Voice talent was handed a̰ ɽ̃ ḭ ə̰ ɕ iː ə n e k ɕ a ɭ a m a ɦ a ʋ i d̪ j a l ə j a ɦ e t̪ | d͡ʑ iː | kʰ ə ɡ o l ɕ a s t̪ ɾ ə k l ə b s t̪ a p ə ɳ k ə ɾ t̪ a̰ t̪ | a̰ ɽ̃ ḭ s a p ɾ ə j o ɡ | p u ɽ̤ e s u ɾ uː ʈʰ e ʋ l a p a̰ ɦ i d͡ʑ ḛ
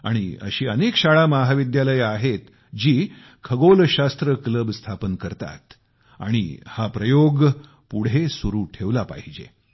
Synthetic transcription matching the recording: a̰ ɽ̃ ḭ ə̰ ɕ iː ə n e k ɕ a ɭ a m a ɦ a ʋ i d̪ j a l ə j a ɦ e t̪ | d͡ʑ iː | kʰ ə ɡ o l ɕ a s t̪ ɾ ə k l ə b s t̪ʰ a p ə n k ə ɾ t̪ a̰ t̪ | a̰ ɽ̃ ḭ h a p ɾ ə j o ɡ | p u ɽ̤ e s u ɾ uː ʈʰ e ʋ l a p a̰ ɦ i d͡ʑ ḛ